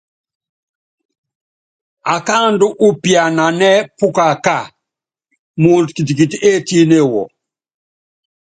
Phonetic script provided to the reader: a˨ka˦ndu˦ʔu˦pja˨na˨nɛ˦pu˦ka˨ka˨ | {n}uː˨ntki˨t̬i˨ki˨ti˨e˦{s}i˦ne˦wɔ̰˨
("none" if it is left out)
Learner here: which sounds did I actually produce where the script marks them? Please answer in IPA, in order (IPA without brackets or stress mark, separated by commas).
m, t